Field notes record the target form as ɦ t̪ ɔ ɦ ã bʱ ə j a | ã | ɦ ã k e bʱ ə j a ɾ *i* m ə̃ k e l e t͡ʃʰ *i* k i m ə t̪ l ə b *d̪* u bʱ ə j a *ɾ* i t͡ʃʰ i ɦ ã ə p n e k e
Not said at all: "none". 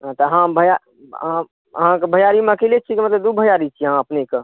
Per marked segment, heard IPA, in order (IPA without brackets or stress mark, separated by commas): i, i, d̪, ɾ